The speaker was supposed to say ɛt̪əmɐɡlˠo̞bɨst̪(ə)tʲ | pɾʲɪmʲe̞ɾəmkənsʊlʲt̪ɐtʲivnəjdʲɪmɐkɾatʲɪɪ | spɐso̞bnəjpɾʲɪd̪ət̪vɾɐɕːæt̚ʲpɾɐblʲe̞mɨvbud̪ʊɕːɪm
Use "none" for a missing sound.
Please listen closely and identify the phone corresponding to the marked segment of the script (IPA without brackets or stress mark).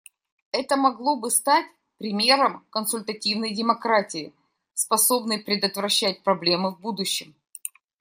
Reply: a